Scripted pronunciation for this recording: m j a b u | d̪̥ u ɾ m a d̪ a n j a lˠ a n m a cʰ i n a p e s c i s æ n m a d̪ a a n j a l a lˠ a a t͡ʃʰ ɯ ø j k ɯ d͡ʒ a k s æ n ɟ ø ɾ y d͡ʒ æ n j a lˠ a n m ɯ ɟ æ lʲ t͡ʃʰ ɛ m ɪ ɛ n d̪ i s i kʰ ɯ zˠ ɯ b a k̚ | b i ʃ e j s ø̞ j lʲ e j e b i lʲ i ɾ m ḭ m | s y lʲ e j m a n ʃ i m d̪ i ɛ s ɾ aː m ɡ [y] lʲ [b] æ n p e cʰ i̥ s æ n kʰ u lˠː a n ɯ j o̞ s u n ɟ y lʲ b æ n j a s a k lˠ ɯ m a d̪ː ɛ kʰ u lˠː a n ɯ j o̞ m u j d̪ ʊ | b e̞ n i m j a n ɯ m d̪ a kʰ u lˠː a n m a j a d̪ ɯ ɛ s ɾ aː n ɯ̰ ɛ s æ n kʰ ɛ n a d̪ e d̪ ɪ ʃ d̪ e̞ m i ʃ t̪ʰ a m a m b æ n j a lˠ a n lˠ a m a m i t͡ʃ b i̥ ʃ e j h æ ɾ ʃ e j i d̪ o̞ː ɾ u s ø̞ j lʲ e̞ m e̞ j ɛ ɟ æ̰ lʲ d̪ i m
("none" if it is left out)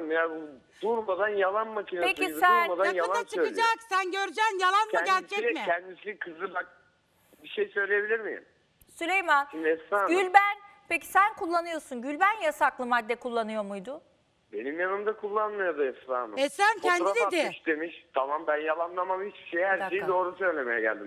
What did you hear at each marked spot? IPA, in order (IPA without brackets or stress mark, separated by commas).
y, b